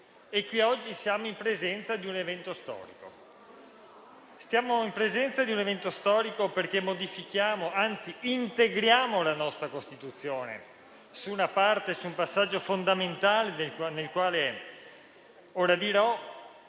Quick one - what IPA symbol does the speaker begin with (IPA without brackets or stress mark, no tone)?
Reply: e